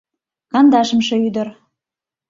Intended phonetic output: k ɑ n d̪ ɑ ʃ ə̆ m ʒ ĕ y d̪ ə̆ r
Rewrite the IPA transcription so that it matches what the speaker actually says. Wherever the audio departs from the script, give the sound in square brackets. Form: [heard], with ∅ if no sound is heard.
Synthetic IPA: k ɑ n d̪ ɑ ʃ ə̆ m [ʃ] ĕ y d̪ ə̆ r